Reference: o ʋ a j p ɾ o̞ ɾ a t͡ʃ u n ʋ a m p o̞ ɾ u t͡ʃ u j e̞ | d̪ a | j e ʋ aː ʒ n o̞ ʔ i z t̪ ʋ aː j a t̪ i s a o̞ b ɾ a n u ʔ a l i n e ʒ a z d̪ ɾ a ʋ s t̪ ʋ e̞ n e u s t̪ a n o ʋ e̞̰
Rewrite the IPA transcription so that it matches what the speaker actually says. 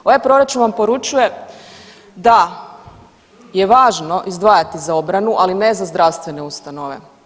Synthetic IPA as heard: o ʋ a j p ɾ o̞ ɾ a t͡ʃ u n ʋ a m p o̞ ɾ u t͡ʃ u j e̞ | d̪ a | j e ʋ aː ʒ n o̞ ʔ i z d̪ ʋ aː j a t̪ i z a o̞ b ɾ a n u ʔ a l i n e z a z d̪ ɾ a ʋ s t̪ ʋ e̞ n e u s t̪ a n o ʋ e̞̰